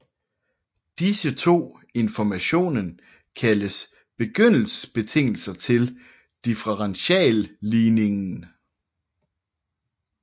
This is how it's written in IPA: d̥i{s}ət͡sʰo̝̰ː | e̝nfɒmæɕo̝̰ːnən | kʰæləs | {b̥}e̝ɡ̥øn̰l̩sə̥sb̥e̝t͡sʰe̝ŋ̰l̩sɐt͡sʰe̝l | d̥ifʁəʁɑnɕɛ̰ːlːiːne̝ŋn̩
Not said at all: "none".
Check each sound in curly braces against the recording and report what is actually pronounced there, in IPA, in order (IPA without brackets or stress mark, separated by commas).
s, b̥